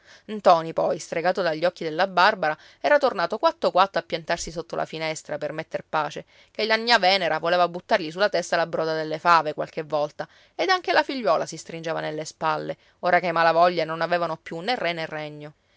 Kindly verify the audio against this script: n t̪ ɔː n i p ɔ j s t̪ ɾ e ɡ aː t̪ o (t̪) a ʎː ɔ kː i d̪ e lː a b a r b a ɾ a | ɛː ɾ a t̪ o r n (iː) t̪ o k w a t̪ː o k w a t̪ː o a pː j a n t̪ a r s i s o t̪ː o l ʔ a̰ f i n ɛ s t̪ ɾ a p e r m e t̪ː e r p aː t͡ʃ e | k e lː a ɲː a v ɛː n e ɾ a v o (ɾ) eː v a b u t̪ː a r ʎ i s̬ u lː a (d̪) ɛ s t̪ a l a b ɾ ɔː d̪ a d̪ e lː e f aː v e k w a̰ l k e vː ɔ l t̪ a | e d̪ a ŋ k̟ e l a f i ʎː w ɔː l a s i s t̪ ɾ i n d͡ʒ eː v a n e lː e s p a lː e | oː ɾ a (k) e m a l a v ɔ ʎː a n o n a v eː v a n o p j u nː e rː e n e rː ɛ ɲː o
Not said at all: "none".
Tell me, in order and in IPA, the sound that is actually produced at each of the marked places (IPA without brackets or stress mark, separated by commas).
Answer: d̪, aː, l, t̪, k